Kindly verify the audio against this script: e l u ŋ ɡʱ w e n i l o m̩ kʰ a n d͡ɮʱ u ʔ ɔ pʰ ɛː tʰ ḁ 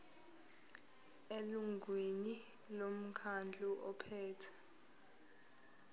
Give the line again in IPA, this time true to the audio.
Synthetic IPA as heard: e l u ŋ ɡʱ w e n i l o m̩ kʰ a n d͡ɮʱ u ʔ ɔ pʰ ɛː tʰ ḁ